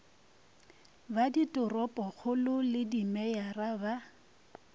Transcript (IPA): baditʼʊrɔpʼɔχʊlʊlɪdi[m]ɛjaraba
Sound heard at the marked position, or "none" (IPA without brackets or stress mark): m